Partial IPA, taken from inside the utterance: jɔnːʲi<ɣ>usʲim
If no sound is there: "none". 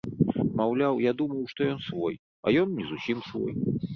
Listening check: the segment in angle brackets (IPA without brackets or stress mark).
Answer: z